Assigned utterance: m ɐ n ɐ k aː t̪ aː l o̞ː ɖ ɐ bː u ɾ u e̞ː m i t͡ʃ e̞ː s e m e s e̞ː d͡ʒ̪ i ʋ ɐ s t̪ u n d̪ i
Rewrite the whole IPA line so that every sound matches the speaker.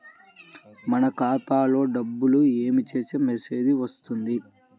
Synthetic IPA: m ɐ n ɐ k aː t̪ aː l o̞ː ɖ ɐ bː u l u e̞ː m i t͡ʃ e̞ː s e m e s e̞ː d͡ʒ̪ i ʋ ɐ s t̪ u n d̪ i